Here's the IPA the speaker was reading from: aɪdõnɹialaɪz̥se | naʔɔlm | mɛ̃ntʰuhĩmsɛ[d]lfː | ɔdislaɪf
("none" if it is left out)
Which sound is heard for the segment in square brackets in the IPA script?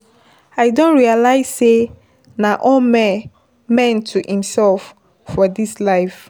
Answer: none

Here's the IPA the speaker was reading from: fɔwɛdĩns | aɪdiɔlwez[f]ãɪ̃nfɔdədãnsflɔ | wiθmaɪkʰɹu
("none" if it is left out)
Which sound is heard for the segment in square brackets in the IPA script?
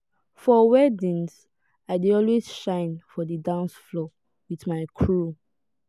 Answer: ʃ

